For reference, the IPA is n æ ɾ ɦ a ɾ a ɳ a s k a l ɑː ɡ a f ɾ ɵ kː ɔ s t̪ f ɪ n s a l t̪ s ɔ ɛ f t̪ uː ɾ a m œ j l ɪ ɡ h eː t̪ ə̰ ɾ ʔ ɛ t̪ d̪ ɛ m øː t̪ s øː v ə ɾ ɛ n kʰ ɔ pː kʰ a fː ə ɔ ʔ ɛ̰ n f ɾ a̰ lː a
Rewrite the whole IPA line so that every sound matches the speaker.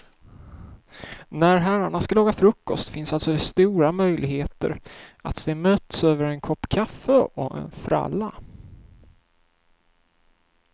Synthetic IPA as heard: n æ ɾ ɦ æ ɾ a ɳ a s k a l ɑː ɡ a f ɾ ɵ kː ɔ s t̪ f ɪ n s a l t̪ s ɔ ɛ s t̪ uː ɾ a m œ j l ɪ ɡ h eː t̪ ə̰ ɾ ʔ a t̪ d̪ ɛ m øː t̪ s øː v ə ɾ ɛ n kʰ ɔ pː kʰ a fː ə ɔ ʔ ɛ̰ n f ɾ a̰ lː a